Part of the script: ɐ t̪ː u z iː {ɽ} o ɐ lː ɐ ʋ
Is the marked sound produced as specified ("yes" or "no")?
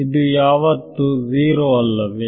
no